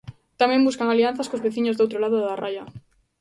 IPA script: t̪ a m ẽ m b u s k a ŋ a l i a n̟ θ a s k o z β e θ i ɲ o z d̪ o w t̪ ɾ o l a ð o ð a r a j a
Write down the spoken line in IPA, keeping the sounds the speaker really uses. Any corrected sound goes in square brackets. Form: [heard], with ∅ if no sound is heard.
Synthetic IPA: t̪ a m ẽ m b u s k a ŋ a l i a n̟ θ a s k o z β e θ i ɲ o z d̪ o w t̪ ɾ o l a ð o ð a r a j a